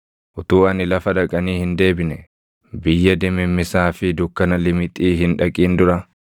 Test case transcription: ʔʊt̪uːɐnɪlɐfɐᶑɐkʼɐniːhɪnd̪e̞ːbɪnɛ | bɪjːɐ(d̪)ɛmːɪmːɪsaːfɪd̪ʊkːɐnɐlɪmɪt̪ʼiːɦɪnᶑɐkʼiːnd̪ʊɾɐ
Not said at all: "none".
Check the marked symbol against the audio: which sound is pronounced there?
d̪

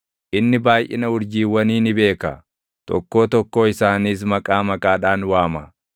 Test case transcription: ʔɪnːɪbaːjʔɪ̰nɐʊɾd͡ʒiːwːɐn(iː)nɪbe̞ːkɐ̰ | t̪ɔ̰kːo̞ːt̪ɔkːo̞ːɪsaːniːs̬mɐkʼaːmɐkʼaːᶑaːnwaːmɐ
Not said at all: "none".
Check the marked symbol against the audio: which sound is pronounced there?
iː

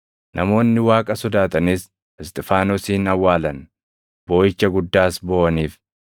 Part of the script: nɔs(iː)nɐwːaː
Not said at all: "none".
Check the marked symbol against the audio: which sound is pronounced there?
iː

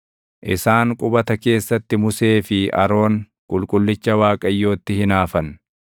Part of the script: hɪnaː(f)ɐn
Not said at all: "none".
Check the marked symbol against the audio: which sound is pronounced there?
f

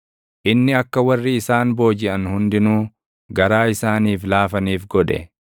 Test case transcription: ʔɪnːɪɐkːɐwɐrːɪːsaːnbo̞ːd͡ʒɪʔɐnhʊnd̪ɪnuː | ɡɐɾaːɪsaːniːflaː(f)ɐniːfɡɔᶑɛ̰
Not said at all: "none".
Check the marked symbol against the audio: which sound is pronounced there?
f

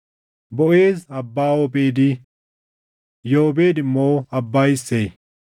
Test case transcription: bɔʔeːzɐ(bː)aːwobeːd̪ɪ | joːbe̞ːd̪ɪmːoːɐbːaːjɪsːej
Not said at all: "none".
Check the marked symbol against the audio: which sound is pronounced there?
bː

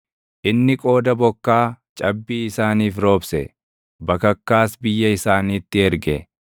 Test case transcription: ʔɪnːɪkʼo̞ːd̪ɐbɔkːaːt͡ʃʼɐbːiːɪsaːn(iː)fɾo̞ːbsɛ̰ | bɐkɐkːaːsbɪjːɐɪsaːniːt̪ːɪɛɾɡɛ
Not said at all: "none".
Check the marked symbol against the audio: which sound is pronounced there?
iː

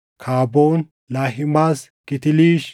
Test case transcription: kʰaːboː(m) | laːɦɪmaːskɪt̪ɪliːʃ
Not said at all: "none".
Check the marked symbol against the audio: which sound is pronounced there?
n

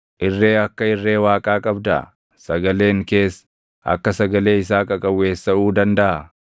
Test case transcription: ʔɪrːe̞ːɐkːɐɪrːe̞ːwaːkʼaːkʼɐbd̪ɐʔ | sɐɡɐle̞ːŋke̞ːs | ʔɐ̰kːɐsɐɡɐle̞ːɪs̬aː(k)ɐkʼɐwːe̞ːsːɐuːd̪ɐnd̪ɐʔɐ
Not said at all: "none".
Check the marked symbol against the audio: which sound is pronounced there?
kʼ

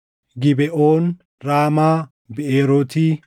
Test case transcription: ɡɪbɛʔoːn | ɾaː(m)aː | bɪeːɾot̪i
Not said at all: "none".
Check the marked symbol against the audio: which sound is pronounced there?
m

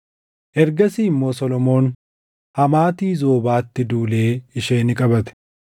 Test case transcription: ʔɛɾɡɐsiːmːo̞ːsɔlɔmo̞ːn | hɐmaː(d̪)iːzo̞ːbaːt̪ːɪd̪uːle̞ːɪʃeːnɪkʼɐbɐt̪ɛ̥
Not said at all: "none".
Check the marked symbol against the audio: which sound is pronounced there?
t̪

